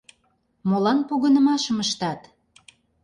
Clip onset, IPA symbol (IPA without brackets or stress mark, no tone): m